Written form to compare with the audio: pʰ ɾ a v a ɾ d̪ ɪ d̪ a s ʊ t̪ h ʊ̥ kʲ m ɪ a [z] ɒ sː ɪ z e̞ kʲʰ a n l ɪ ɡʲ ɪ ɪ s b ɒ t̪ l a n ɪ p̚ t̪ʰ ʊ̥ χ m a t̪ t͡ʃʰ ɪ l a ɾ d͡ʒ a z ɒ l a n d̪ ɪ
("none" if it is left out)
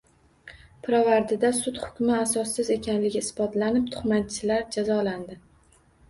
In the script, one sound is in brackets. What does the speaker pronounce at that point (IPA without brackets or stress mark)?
s